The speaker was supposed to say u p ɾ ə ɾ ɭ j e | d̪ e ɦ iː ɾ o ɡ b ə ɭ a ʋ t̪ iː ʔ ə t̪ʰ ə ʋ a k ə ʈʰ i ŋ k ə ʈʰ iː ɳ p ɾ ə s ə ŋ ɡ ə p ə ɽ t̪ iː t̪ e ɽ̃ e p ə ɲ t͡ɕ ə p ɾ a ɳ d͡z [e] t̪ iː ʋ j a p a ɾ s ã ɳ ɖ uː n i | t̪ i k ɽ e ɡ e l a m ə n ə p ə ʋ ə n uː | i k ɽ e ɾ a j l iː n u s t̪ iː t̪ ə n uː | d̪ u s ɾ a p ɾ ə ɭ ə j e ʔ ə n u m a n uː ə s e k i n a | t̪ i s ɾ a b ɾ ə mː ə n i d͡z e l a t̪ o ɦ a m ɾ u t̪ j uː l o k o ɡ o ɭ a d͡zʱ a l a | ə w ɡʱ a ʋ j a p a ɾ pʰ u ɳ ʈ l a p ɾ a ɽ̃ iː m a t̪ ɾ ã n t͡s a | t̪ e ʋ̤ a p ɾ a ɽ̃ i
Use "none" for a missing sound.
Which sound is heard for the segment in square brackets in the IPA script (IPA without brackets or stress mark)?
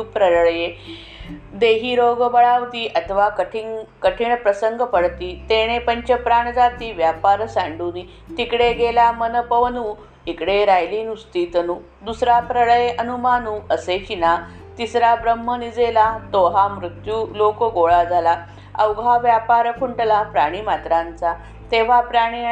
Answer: a